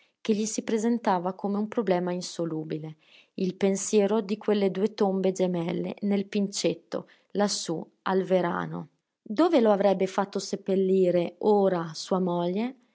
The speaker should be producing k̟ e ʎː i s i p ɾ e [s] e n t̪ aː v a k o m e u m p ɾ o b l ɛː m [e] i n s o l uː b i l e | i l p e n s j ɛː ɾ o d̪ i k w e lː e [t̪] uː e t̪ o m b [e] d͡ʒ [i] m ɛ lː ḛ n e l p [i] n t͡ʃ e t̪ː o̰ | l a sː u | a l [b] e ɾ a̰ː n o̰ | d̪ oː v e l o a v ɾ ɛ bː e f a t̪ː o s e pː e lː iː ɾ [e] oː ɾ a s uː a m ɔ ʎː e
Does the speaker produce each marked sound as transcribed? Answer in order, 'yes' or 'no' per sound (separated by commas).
no, no, no, yes, no, yes, no, yes